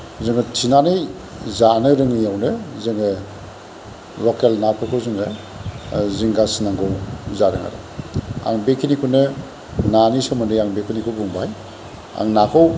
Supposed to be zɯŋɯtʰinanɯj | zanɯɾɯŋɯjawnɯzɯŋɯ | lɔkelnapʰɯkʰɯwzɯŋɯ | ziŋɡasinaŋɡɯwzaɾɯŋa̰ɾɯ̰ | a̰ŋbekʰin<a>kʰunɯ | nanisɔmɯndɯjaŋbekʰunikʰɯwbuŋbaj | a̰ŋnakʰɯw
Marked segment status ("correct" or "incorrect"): incorrect